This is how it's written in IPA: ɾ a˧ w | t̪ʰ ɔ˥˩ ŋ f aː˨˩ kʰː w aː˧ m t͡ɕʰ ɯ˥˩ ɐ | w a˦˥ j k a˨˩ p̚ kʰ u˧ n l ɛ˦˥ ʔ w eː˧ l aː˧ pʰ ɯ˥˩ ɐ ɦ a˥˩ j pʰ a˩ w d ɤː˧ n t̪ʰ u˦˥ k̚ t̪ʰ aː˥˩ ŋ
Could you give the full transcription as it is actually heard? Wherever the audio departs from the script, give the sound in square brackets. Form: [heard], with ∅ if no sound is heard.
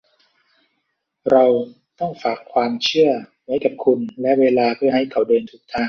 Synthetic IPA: ɾ a˧ w | [t̪] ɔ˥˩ ŋ f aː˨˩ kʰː w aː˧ m t͡ɕʰ ɯ˥˩ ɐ | w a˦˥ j k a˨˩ p̚ kʰ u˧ n l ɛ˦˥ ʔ w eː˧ l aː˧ pʰ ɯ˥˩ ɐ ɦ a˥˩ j [kʰ] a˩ w d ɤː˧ n t̪ʰ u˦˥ k̚ t̪ʰ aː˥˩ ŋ